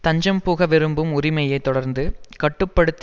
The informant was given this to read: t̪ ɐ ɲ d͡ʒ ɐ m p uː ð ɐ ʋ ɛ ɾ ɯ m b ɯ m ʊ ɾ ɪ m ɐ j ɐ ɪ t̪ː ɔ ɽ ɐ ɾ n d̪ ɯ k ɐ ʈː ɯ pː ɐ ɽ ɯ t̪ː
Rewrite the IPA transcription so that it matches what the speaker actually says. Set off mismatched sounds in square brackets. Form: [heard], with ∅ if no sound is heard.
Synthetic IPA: t̪ ɐ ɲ d͡ʒ ɐ m p uː [ɣ] ɐ ʋ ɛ ɾ ɯ m b ɯ m ʊ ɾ ɪ m ɐ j ɐ ɪ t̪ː ɔ ɽ ɐ ɾ n d̪ ɯ k ɐ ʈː ɯ pː ɐ ɽ ɯ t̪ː